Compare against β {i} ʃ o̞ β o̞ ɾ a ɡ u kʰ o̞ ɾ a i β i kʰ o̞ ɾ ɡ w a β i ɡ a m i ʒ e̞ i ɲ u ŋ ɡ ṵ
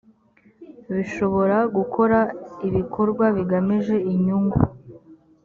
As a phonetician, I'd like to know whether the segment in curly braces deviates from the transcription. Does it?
no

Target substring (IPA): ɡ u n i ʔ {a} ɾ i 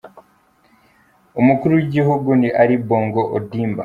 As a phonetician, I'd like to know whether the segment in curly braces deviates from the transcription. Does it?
no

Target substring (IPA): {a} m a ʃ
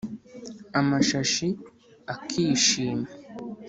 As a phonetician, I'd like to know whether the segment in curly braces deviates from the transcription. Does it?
no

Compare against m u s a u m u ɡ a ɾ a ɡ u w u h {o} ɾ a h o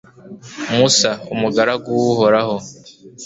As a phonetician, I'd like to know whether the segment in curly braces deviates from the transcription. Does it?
no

